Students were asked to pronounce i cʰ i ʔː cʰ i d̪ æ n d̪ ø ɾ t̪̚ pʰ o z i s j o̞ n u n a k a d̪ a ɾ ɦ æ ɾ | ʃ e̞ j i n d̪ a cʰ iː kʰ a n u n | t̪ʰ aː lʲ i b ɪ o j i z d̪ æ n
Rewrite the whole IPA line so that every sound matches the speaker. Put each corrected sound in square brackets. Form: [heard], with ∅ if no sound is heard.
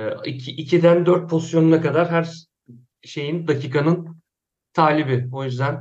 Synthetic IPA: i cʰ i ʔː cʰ i d̪ æ n d̪ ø ɾ t̪̚ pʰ o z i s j o̞ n u n a k a d̪ a ɾ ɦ æ ɾ | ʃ e̞ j i n d̪ a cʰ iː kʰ a n [ɯ] n | t̪ʰ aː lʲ i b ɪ o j [y] z d̪ æ n